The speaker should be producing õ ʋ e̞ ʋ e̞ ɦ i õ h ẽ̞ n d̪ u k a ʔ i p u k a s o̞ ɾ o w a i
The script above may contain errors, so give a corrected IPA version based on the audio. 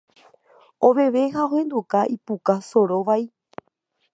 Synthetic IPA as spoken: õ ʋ e̞ ʋ e̞ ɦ a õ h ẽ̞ n d̪ u k a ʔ i p u k a s o̞ ɾ o ʋ a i

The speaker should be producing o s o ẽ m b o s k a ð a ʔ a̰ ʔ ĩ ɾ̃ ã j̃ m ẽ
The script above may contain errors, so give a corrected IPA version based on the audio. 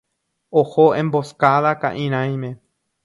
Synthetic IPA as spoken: o h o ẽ m b o s k a ð a k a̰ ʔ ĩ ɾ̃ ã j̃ m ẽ

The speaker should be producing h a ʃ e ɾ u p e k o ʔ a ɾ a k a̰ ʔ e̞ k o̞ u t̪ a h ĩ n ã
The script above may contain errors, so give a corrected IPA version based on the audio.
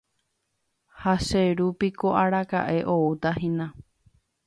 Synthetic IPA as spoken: h a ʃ e ɾ u p i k o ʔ a ɾ a k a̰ ʔ e̞ ʔ o̞ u t̪ a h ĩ n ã

